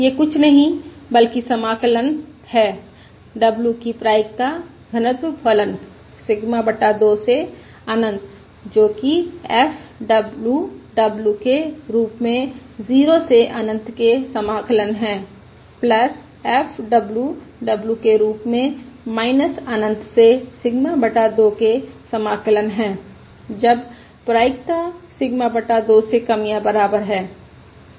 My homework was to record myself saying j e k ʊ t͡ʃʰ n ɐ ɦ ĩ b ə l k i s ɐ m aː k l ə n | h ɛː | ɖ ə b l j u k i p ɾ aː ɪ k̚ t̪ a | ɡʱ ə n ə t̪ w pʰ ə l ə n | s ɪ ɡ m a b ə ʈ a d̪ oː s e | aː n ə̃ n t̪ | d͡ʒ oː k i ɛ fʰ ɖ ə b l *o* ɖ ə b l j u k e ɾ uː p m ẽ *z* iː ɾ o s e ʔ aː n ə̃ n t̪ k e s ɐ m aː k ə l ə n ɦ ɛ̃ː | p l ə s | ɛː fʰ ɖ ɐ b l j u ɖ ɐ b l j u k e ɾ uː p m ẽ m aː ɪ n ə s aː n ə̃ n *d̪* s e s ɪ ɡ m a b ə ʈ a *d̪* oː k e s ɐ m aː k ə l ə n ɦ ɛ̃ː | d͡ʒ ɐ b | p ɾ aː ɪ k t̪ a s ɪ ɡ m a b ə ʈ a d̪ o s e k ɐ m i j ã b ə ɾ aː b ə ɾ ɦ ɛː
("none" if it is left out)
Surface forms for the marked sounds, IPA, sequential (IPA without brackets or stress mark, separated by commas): u, z, t̪, d̪